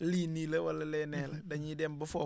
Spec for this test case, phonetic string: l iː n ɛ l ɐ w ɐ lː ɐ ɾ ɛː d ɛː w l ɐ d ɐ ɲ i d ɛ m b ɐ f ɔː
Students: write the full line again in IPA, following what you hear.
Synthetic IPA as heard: l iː n i l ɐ w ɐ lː ɐ l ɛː n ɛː l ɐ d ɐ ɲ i d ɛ m b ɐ f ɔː